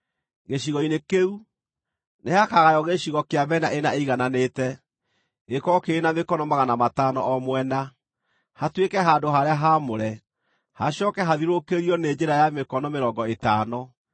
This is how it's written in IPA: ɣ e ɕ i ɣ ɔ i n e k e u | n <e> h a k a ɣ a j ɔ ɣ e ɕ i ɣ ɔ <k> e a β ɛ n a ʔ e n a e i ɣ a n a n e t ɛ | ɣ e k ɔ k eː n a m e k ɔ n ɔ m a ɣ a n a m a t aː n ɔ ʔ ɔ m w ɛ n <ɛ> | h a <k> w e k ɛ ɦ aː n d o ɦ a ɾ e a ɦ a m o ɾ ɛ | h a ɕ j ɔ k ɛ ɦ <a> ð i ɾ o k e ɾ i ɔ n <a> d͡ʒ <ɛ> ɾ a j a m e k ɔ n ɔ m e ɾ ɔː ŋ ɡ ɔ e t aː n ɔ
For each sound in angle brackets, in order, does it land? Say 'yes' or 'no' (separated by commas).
yes, yes, no, no, yes, no, no